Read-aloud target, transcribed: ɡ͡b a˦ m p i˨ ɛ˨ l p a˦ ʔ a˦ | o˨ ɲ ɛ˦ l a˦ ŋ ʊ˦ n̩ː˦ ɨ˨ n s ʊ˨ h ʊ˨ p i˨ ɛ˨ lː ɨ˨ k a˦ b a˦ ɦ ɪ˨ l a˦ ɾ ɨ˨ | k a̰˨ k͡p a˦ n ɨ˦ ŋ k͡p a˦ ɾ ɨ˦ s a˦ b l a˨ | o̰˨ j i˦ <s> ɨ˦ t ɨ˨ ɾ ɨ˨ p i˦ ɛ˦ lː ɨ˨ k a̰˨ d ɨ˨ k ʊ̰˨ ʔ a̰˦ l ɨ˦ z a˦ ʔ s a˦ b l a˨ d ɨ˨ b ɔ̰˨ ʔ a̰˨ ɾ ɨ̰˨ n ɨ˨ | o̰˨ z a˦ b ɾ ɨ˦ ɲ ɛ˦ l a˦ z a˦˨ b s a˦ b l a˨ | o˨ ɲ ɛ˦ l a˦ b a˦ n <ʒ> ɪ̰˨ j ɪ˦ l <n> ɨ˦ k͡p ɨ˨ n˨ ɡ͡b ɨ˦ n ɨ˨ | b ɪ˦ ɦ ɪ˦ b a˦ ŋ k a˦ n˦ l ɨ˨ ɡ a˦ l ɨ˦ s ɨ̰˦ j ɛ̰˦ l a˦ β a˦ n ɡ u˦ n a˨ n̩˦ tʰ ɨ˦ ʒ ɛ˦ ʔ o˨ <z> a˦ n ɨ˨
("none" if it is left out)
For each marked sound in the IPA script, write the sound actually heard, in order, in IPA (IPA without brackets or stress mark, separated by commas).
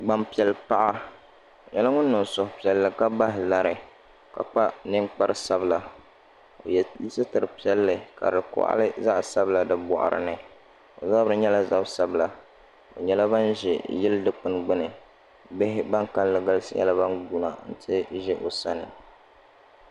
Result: s, ʒ, d, s